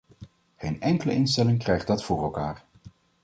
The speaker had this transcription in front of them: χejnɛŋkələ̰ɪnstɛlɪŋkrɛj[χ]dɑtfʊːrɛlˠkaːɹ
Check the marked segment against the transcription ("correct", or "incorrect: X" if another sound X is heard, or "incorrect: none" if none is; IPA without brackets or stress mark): correct